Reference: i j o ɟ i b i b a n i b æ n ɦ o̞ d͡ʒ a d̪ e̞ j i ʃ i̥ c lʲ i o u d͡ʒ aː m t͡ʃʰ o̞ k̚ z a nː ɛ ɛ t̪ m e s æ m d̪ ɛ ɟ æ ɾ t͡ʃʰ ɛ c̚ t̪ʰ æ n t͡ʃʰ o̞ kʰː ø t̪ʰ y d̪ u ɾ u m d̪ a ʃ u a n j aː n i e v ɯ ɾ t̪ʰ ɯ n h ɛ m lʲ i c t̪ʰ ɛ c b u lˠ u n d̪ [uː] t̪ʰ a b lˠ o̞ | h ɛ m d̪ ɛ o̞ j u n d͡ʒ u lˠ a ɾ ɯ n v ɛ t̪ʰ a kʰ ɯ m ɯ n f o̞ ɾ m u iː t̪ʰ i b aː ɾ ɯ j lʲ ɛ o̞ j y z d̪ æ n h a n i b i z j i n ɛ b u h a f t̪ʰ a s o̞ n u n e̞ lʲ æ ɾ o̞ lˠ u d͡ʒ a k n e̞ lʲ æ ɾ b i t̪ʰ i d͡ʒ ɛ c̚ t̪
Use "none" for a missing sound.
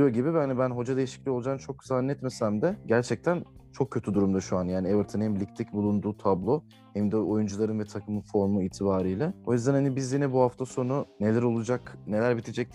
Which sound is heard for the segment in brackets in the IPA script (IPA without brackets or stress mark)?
uː